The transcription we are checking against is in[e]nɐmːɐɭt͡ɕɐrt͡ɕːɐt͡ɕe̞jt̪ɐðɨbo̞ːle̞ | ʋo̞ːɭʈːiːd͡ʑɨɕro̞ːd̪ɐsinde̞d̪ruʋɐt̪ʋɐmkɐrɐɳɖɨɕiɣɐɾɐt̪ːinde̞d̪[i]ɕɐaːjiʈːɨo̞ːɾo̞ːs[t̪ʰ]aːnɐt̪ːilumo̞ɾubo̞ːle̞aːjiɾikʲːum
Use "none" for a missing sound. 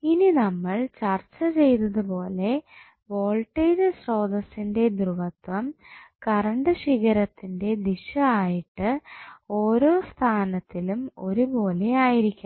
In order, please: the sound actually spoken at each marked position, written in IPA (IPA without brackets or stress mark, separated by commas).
i, i, t̪ʰ